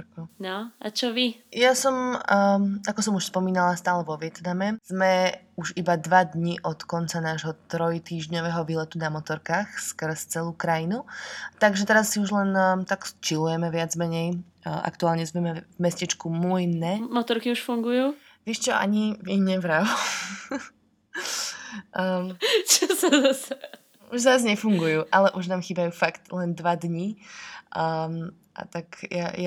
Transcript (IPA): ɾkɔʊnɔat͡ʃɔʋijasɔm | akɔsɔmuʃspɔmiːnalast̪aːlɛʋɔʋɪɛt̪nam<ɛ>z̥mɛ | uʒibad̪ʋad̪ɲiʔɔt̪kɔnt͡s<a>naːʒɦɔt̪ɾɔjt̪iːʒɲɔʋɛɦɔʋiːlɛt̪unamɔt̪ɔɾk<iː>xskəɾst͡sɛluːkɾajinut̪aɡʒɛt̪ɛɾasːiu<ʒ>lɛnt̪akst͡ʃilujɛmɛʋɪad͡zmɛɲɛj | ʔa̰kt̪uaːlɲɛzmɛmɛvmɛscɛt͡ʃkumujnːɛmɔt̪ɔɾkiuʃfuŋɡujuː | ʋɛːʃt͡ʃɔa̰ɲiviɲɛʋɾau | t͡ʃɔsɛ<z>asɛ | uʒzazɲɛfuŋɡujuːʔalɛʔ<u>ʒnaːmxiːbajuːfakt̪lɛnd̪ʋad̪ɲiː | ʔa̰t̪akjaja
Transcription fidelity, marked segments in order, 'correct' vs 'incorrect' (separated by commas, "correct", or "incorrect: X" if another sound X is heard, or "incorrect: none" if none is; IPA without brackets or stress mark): correct, correct, incorrect: aː, correct, correct, correct